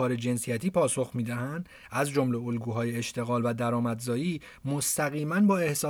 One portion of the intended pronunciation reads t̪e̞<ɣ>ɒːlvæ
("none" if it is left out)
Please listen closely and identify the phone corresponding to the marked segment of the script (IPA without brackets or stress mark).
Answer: ɣ